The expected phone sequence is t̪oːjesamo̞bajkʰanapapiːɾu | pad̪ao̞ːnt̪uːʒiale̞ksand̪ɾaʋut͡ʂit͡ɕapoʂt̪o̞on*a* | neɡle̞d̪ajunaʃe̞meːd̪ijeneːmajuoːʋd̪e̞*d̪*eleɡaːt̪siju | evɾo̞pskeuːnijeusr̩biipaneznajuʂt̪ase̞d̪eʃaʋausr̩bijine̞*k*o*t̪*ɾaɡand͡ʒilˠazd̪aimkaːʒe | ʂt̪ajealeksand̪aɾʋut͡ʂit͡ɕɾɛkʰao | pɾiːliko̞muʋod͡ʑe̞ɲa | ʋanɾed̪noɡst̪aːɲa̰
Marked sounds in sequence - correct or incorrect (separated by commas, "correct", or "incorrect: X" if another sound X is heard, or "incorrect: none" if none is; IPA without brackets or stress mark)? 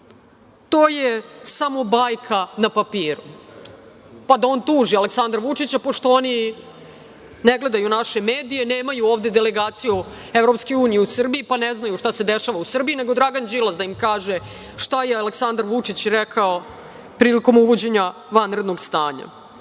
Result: incorrect: i, correct, incorrect: ɡ, incorrect: d̪